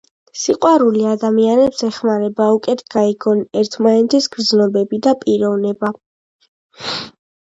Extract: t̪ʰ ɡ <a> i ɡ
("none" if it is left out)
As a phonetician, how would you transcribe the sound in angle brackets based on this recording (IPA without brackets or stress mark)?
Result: a